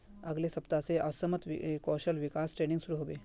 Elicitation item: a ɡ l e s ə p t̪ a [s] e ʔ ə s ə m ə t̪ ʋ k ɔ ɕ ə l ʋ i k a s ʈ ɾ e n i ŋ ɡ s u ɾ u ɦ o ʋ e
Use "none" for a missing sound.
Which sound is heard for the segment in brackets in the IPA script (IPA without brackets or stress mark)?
t͡s